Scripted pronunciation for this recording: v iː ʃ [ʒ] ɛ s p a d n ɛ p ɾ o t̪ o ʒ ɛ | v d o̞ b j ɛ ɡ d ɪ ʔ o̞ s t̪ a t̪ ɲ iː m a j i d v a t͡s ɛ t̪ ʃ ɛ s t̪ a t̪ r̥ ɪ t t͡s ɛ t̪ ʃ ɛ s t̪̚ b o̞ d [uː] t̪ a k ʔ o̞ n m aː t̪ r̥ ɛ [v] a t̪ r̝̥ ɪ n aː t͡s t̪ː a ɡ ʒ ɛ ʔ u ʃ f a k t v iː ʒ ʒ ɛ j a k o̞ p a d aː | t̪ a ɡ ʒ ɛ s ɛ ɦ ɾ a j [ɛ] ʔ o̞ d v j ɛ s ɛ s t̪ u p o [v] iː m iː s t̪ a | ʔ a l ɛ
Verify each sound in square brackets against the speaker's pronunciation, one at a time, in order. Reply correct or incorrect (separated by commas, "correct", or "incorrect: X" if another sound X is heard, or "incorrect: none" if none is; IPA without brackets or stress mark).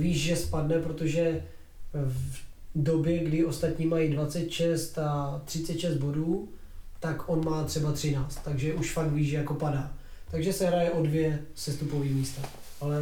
correct, correct, incorrect: b, correct, correct